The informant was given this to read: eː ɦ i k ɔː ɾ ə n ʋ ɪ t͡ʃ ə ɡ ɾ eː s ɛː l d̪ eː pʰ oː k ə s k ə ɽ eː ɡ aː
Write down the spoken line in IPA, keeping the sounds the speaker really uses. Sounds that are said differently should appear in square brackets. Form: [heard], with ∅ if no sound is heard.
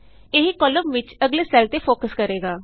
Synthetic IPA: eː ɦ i k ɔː [l] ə [m] ʋ ɪ t͡ʃ ə ɡ [l] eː s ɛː l [t̪] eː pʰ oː k ə s k ə [ɾ] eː ɡ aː